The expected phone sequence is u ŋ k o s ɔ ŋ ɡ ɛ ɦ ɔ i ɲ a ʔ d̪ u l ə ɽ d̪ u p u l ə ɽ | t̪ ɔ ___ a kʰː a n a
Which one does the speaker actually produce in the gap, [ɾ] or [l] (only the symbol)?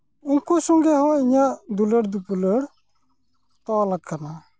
l